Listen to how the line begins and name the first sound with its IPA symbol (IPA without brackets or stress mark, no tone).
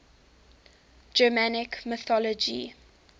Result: d͡ʒ